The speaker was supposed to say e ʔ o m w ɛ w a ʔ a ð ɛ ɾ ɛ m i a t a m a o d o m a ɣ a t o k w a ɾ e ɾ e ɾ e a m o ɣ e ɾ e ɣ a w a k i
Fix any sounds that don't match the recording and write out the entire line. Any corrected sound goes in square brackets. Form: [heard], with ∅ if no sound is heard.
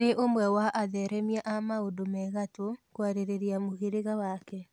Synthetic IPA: e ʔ o m w ɛ w a ʔ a ð ɛ ɾ ɛ m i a [ʔ] a m a o d o m [ɛ] ɣ a t o k w a ɾ e ɾ e ɾ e a m o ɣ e ɾ e ɣ a w a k [ɛ]